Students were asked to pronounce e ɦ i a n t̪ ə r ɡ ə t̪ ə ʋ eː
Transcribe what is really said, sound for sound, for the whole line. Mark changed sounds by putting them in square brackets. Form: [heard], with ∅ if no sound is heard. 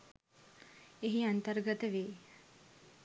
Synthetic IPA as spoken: e ɦ i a n t̪ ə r ɡ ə t̪ ə ʋ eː